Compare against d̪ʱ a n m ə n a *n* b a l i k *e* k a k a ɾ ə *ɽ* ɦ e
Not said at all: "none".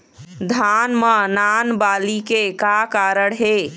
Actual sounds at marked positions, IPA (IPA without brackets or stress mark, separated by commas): n, e, ɽ